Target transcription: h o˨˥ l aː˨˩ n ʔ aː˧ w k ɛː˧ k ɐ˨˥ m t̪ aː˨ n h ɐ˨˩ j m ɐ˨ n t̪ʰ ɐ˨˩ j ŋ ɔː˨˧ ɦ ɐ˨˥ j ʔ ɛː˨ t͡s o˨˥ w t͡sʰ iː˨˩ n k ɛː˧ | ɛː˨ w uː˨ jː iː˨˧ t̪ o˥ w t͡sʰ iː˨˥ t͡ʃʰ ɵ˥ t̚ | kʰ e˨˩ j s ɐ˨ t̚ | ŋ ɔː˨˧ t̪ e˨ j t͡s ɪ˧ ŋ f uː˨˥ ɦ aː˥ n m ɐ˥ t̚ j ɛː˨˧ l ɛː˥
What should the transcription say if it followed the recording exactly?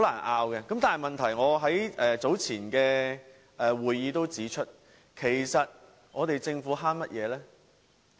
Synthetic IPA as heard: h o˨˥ l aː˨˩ n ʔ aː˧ w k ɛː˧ k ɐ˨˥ m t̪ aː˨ n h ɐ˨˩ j m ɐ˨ n t̪ʰ ɐ˨˩ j ŋ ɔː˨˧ ɦ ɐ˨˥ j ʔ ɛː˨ t͡s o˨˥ w t͡sʰ iː˨˩ n k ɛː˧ | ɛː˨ w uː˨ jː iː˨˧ t̪ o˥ w t͡s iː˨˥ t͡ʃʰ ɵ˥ t̚ | kʰ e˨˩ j s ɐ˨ t̚ | ŋ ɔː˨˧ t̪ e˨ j t͡s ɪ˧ ŋ f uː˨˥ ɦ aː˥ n m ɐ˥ t̚ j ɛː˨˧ l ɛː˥